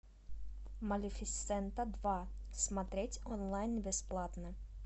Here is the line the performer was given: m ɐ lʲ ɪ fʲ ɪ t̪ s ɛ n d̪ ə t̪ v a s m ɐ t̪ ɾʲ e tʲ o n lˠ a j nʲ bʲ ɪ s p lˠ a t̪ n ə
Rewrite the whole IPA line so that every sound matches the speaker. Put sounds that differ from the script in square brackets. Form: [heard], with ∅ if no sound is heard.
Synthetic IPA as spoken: m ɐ lʲ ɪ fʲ ɪ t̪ s ɛ n [t̪] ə [d̪] v a s m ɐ t̪ ɾʲ e tʲ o n lˠ a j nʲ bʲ ɪ s p lˠ a t̪ n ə